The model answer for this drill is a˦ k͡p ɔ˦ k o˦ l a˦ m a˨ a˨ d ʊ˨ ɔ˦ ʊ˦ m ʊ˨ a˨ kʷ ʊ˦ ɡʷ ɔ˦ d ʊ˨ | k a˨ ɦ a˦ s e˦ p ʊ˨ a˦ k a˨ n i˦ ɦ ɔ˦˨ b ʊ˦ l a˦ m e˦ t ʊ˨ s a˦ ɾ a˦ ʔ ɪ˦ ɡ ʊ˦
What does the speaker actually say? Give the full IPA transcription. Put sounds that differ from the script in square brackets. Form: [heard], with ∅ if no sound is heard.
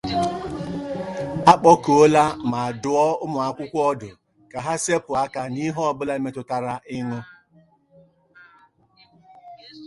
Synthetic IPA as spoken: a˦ k͡p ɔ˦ k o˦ l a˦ m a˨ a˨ d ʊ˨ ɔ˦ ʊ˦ m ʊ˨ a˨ kʷ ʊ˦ [kʷ] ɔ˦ d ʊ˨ | k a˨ ɦ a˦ s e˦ p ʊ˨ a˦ k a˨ n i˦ ɦ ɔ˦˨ b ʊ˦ l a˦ m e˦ t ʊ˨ [t] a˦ ɾ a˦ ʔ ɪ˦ [ŋ] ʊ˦